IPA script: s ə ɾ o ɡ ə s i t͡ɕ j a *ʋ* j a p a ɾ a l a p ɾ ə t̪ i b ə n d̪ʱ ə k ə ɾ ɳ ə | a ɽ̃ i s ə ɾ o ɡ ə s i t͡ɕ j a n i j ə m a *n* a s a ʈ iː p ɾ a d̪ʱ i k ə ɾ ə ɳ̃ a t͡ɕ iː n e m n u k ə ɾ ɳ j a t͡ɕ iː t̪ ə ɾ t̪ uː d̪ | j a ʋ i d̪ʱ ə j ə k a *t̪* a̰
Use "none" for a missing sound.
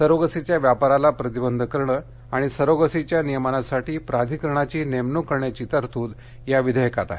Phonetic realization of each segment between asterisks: ʋ, n, t̪

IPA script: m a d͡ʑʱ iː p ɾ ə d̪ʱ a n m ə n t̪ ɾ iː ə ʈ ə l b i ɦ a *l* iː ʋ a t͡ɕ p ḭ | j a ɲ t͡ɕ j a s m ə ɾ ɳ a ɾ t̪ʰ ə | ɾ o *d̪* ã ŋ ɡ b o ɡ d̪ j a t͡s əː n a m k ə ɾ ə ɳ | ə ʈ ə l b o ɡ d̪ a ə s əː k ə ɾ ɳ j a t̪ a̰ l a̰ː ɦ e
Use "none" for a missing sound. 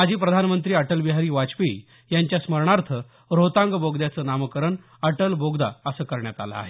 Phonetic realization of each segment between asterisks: ɾ, t̪

